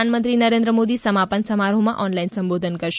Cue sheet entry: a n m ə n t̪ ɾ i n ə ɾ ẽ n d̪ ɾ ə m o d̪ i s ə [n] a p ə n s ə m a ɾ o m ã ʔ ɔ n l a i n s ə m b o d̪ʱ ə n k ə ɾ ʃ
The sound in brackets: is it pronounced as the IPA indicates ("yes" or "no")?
no